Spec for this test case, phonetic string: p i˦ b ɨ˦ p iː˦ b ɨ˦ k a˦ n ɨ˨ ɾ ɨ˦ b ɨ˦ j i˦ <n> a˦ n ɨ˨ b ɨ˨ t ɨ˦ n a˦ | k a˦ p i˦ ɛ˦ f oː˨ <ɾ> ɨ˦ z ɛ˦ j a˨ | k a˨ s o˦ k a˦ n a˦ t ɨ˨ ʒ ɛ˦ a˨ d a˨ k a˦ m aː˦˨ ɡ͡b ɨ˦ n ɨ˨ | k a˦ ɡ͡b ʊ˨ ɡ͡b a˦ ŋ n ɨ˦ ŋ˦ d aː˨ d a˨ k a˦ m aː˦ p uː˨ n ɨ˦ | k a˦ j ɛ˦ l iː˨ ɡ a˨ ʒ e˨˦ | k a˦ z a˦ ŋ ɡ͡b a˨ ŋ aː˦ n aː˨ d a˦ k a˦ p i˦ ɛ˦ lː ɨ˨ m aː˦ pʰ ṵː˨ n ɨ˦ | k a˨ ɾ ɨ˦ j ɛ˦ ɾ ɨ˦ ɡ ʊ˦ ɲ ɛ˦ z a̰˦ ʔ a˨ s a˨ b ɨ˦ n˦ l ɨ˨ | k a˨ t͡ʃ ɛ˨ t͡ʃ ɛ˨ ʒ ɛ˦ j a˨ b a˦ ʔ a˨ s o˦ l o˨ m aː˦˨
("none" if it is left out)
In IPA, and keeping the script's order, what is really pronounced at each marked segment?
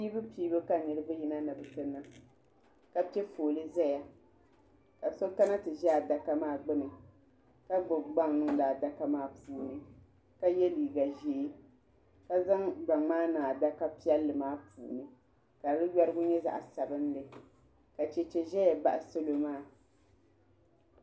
n, l

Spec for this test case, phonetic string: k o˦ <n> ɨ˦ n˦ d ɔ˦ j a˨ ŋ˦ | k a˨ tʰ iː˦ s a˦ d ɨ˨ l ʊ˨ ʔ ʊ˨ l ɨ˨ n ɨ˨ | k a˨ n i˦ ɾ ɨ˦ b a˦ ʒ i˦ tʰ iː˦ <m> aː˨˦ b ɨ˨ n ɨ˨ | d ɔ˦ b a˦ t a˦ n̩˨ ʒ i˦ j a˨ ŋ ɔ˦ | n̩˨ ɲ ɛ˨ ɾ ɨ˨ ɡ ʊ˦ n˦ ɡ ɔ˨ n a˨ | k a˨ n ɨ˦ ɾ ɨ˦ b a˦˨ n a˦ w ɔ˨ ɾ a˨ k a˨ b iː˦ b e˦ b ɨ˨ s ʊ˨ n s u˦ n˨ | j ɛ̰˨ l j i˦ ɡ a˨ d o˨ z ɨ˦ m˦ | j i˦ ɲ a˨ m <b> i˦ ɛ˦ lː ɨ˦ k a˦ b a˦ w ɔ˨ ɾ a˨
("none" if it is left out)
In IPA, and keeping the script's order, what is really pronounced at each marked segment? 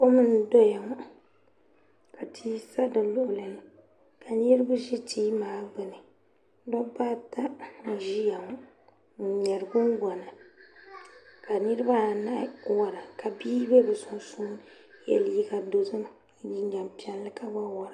m, m, p

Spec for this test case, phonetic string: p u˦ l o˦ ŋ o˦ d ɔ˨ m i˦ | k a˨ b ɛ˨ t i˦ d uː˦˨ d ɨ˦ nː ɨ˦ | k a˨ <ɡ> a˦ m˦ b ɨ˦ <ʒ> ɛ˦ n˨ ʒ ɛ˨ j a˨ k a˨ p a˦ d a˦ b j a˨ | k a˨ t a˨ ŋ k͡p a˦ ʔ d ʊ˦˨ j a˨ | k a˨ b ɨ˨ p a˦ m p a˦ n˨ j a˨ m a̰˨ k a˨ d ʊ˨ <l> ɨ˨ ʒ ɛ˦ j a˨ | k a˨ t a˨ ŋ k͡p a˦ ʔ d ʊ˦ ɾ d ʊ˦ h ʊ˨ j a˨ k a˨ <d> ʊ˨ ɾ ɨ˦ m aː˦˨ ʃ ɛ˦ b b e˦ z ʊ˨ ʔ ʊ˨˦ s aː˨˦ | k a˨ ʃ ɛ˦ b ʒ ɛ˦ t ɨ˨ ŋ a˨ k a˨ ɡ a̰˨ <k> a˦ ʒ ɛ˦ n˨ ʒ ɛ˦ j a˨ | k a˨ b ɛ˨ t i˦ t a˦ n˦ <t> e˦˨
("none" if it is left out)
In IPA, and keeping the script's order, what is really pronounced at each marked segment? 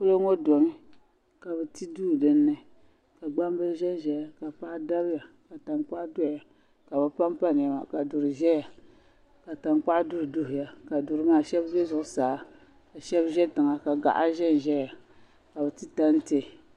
ɡ͡b, ʒ, ɾ, d, ʔ, t

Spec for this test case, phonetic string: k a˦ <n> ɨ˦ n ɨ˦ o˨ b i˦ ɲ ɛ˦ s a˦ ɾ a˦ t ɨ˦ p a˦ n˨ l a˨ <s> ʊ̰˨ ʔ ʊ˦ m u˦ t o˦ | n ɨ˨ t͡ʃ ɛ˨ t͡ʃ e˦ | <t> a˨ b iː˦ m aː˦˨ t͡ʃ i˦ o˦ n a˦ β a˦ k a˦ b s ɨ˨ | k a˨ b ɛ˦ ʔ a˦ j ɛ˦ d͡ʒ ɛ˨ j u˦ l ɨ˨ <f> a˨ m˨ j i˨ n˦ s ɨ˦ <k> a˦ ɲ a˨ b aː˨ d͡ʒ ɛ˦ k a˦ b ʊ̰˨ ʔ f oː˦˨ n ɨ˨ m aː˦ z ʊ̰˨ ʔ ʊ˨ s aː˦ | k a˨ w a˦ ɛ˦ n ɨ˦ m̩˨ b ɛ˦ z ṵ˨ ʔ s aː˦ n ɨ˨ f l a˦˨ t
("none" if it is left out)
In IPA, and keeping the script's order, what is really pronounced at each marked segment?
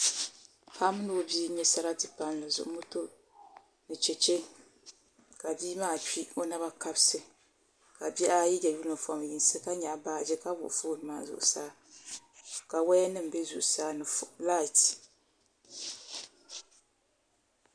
m, z, k, f, k

